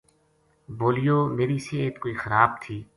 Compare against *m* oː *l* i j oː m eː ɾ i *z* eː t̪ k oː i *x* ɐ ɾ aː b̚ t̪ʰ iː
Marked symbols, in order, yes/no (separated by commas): no, yes, no, yes